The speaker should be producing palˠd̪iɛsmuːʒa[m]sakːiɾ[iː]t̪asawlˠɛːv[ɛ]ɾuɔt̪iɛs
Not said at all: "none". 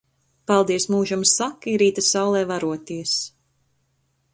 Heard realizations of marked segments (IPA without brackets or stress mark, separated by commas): m, iː, a